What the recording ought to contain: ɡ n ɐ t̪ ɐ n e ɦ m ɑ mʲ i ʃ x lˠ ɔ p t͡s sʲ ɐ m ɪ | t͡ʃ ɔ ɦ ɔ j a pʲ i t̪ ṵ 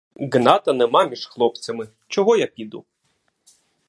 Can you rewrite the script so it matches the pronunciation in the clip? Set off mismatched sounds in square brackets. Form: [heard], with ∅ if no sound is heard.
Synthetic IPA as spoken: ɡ n [ɑ] t̪ ɐ n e [∅] m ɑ mʲ i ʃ x lˠ ɔ p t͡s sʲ ɐ m ɪ | t͡ʃ ɔ ɦ ɔ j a pʲ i [d̪] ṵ